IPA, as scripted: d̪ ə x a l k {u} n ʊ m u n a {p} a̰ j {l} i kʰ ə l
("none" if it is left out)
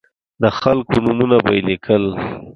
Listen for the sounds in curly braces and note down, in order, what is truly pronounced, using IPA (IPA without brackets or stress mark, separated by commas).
o, b, l